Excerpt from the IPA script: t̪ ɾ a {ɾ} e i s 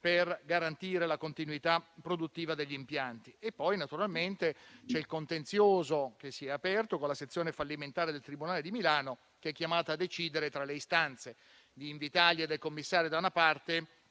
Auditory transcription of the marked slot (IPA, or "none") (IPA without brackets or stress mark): l